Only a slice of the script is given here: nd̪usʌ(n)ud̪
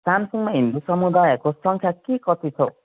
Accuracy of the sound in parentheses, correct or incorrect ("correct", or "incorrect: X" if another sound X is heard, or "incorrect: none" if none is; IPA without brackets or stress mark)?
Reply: incorrect: m